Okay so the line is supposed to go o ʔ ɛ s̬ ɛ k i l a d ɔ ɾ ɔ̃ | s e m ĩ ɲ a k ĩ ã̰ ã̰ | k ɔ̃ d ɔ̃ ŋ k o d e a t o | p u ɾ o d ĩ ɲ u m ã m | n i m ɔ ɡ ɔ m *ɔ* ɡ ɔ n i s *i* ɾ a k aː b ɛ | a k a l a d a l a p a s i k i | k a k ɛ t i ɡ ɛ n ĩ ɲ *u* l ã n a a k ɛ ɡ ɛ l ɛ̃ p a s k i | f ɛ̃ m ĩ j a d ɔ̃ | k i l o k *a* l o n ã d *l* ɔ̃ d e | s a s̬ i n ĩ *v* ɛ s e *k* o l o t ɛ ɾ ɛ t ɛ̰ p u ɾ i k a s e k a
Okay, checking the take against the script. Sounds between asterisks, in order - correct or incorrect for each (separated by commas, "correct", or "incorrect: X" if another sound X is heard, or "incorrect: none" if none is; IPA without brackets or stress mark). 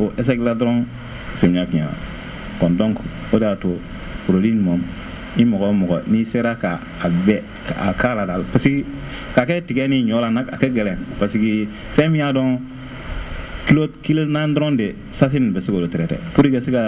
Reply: correct, incorrect: e, incorrect: ɔ, incorrect: i, incorrect: ɾ, incorrect: b, correct